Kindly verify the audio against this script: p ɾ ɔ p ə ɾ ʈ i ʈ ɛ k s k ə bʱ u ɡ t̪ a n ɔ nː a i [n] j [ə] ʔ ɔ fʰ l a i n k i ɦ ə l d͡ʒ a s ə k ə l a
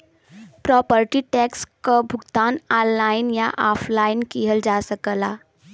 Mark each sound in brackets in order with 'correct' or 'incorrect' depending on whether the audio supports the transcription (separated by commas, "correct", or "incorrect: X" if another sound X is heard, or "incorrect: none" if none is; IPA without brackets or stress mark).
correct, incorrect: a